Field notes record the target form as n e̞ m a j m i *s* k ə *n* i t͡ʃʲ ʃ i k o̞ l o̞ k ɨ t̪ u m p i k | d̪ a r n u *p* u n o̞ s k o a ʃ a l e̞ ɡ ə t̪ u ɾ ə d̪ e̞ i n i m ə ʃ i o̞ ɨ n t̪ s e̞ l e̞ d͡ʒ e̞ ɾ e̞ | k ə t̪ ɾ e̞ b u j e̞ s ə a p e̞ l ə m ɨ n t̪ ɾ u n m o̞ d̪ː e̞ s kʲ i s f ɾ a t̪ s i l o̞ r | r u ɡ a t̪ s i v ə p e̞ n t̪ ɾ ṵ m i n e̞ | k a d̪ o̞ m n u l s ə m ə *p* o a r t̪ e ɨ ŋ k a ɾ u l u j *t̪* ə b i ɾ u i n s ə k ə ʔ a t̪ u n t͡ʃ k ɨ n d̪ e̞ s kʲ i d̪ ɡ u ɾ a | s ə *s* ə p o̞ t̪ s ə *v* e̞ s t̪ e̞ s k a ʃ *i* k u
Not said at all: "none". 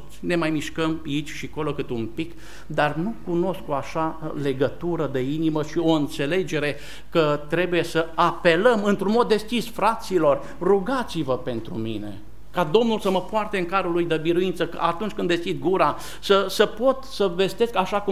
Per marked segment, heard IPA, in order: ʃ, m, k, p, d̪, s, v, a

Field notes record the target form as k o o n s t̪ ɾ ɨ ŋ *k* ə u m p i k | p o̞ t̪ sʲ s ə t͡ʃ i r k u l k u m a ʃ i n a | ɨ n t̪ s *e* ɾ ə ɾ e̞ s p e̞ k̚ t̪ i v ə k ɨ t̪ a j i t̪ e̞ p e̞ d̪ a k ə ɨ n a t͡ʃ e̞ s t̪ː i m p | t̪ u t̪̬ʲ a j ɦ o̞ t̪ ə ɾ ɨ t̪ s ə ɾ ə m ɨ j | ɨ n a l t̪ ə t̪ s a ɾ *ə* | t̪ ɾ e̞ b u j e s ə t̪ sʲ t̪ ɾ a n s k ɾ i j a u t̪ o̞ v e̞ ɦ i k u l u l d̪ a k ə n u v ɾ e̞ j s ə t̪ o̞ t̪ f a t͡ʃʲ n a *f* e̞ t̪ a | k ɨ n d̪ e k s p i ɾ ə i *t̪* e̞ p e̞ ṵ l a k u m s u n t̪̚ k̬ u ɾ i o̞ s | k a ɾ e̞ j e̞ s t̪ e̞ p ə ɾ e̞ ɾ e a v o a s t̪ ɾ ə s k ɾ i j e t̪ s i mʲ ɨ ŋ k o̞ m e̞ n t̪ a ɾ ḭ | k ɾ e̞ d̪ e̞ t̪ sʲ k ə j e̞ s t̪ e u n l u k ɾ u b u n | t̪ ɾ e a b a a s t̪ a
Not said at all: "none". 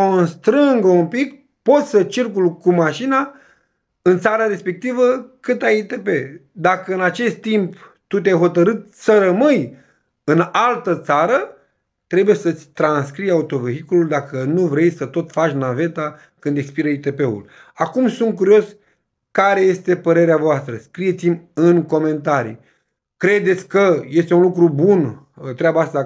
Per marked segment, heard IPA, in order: ɡ, a, ə, v, t̪

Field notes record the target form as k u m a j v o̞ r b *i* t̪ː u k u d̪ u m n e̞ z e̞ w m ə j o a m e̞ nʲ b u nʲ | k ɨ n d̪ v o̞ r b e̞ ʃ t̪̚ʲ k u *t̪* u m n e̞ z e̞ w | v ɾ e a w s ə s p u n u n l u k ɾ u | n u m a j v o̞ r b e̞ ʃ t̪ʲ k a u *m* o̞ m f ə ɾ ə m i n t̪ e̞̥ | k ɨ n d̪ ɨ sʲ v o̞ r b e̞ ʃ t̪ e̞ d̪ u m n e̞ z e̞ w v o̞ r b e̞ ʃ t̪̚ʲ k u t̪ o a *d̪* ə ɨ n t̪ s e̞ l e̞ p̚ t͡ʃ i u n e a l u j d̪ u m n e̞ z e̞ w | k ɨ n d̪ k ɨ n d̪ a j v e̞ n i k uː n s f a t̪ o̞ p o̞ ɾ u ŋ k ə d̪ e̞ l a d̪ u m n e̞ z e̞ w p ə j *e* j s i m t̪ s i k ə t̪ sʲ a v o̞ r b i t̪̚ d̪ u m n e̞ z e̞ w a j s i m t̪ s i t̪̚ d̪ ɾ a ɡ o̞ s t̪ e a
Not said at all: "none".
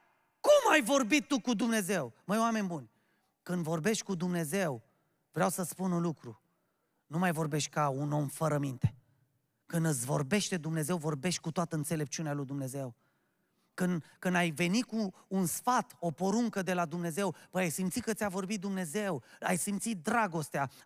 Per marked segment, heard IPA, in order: i, d̪, n, t̪, a

